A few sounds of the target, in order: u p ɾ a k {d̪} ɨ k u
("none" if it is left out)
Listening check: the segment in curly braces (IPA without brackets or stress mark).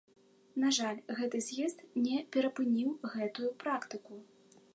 t̪